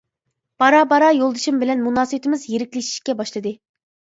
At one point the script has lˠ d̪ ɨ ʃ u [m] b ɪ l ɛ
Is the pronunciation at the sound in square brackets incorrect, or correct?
correct